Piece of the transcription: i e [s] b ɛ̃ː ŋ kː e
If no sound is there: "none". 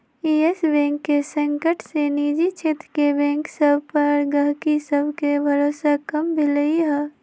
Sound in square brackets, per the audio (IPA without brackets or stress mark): s